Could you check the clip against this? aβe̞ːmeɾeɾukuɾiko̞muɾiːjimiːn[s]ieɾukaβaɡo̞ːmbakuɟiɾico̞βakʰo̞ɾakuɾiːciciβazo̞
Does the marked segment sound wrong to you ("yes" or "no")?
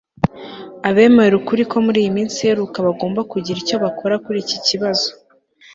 no